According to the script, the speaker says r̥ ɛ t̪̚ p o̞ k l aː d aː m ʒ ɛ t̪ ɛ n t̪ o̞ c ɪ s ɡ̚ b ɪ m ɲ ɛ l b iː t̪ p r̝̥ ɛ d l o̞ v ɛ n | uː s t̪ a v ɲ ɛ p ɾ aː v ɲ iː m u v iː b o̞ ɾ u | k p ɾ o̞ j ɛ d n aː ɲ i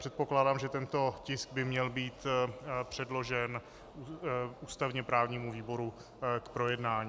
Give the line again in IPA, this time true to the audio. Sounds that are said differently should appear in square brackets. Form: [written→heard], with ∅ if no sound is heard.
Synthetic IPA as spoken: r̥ ɛ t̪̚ p o̞ k l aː d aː m ʒ ɛ t̪ ɛ n t̪ o̞ c ɪ s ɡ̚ b ɪ m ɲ ɛ l b iː t̪ p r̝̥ ɛ d l o̞ [v→ʒ] ɛ n | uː s t̪ a v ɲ ɛ p ɾ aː v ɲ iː m u v iː b o̞ ɾ u | k p ɾ o̞ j ɛ d n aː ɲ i

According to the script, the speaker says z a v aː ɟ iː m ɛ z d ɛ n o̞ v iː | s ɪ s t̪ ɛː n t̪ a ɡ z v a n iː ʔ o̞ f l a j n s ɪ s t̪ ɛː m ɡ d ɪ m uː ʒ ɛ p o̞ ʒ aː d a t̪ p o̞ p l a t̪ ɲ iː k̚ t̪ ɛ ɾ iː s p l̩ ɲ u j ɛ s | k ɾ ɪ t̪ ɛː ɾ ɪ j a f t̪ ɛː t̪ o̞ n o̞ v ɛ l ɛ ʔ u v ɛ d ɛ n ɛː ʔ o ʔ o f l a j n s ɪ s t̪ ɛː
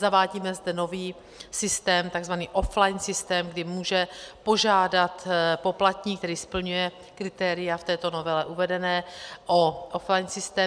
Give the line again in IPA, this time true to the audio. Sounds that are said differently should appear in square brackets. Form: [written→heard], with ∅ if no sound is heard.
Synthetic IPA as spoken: z a v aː ɟ iː m ɛ z d ɛ n o̞ v iː | s ɪ s t̪ ɛː [n→m] t̪ a ɡ z v a n iː ʔ o̞ f l a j n s ɪ s t̪ ɛː m ɡ d ɪ m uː ʒ ɛ p o̞ ʒ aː d a t̪ p o̞ p l a t̪ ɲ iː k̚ t̪ ɛ ɾ iː s p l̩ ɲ u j ɛ [s→∅] | k ɾ ɪ t̪ ɛː ɾ ɪ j a f t̪ ɛː t̪ o̞ n o̞ v ɛ l ɛ ʔ u v ɛ d ɛ n ɛː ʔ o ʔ o f l a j n s ɪ s t̪ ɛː

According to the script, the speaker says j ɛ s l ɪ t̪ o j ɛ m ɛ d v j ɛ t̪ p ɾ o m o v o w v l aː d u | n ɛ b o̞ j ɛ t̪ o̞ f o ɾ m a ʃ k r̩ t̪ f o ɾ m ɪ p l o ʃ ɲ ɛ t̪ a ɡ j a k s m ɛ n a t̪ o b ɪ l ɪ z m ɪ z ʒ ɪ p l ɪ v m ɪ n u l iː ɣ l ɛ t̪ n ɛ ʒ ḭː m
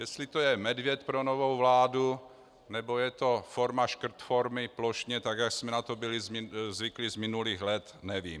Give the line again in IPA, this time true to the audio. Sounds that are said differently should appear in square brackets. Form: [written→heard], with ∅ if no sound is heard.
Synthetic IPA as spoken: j ɛ s l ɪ t̪ o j ɛ m ɛ d v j ɛ t̪ p ɾ o [m→n] o v o w v l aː d u | n ɛ b o̞ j ɛ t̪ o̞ f o ɾ m a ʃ k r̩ t̪ f o ɾ m ɪ p l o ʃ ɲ ɛ t̪ a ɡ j a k s m ɛ n a t̪ o b ɪ l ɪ z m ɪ z [ʒ→v] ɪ [p→k] l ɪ [v→z] m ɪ n u l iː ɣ l ɛ t̪ n ɛ [ʒ→v] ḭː m

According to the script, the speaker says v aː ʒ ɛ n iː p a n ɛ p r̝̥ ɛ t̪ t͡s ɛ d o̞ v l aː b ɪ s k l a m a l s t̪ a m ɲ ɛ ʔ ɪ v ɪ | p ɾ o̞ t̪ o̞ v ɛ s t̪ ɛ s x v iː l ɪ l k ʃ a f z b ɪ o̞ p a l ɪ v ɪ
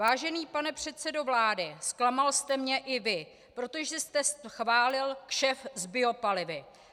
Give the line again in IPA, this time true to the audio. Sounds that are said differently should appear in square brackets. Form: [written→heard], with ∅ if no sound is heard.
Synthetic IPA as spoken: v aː ʒ ɛ n iː p a n ɛ p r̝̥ ɛ t̪ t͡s ɛ d o̞ v l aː [b→d] ɪ s k l a m a l s t̪ [a→ɛ] m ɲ ɛ ʔ ɪ v ɪ | p ɾ o̞ t̪ o̞ [v→ʒ] ɛ s t̪ ɛ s x v [iː→aː] l ɪ l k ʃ [a→ɛ] f z b ɪ o̞ p a l ɪ v ɪ

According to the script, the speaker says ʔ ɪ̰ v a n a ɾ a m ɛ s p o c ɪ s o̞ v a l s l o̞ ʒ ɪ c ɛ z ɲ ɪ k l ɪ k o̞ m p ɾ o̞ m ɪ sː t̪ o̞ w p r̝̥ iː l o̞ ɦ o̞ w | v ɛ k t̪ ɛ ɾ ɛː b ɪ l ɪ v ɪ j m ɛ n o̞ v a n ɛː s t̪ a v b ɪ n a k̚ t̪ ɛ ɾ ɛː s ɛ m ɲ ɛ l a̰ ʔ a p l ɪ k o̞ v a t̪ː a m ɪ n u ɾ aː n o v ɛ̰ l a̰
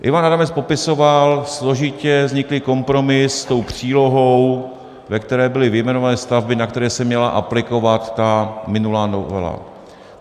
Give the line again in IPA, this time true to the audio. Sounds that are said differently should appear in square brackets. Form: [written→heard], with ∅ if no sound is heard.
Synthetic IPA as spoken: ʔ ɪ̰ v a n a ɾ a m ɛ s p o [c→p] ɪ s o̞ v a l s l o̞ ʒ ɪ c ɛ z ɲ ɪ k l ɪ k o̞ m p ɾ o̞ m ɪ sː t̪ o̞ w p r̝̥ iː l o̞ ɦ o̞ w | v ɛ k t̪ ɛ ɾ ɛː b ɪ l ɪ v ɪ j m ɛ n o̞ v a n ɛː s t̪ a v b ɪ n a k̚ t̪ ɛ ɾ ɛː s ɛ m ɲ ɛ l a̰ ʔ a p l ɪ k o̞ v a t̪ː a m ɪ n u [ɾ→l] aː n o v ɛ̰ l a̰

